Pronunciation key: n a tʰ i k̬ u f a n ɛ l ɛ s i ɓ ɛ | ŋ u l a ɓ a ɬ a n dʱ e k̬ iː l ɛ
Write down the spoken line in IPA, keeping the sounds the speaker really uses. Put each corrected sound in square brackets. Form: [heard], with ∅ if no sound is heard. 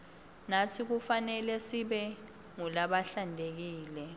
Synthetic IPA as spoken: n a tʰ i k̬ u f a n ɛ l ɛ s i ɓ ɛ | ŋ u l a ɓ a ɬ a n dʱ e k̬ iː l ɛ